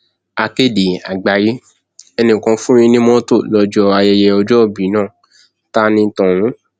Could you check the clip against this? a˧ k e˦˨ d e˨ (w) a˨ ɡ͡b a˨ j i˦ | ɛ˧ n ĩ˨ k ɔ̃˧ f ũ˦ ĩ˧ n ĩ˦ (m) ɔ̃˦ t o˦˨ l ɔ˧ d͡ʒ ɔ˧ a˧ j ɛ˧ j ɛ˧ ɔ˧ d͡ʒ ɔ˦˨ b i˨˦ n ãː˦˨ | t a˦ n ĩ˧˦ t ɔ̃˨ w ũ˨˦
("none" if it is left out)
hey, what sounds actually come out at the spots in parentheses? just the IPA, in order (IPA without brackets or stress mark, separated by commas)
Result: none, m